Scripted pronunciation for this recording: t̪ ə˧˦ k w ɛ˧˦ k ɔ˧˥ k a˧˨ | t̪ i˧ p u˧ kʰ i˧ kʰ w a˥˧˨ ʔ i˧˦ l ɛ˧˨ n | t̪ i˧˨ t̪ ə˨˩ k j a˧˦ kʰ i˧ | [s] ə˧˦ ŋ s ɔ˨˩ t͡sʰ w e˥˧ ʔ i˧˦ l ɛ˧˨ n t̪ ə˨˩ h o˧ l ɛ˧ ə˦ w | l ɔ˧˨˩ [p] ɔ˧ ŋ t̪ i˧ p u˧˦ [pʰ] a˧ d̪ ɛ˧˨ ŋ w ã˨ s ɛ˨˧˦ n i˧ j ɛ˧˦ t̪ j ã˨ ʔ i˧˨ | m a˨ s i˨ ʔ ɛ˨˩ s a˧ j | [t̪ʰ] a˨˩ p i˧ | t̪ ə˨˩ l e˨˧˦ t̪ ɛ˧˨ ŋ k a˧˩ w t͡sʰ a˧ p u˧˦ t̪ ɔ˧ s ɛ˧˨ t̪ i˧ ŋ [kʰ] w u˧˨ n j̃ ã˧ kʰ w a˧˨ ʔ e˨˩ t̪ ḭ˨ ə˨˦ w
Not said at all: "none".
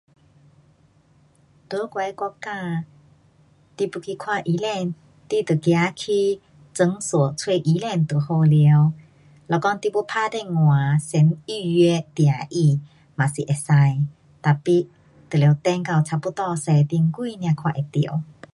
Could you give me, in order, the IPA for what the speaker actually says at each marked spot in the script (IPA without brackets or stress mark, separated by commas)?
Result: t͡s, k, pʰ, t̪, k